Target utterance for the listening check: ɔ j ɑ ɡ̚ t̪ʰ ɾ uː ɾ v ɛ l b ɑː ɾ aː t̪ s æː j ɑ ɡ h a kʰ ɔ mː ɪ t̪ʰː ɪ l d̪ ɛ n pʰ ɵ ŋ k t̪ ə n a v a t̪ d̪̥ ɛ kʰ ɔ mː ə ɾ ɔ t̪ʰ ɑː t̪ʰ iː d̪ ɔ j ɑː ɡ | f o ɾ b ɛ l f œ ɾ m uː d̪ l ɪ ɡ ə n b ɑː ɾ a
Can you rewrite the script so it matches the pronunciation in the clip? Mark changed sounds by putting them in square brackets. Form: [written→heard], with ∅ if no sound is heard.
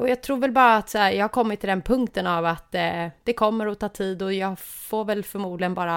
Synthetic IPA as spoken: ɔ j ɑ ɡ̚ t̪ʰ ɾ uː ɾ v ɛ l b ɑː ɾ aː t̪ s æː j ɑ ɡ h a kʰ ɔ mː ɪ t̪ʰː ɪ l d̪ ɛ n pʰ ɵ ŋ k t̪ ə n a v a t̪ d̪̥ ɛ kʰ ɔ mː ə ɾ ɔ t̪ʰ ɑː t̪ʰ iː d̪ ɔ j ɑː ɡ | f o ɾ [b→v] ɛ l f œ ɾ m uː d̪ l ɪ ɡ ə n b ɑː ɾ a